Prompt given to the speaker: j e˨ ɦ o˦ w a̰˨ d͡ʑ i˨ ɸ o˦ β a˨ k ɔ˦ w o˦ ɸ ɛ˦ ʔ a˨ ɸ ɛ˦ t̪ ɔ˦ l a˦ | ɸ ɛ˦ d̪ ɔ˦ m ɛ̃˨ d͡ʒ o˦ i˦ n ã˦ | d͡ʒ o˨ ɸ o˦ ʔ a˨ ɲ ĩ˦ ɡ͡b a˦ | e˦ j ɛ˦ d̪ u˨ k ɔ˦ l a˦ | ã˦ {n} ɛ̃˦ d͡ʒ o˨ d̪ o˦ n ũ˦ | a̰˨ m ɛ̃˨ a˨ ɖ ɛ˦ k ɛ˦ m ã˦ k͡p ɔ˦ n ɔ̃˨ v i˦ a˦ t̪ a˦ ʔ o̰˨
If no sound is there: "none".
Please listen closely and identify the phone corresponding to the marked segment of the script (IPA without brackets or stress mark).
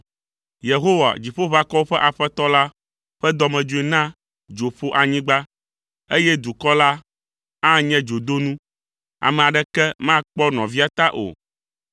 ɲ